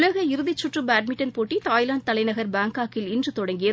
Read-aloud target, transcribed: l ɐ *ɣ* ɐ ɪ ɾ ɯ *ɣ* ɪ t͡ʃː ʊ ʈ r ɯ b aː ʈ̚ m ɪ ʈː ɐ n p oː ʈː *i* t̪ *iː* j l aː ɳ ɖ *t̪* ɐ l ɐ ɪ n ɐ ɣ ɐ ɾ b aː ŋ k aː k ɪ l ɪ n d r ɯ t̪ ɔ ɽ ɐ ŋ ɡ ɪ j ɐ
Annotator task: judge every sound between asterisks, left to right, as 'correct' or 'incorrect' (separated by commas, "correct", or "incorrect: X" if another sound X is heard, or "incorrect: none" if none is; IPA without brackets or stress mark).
correct, incorrect: ð, correct, incorrect: aː, correct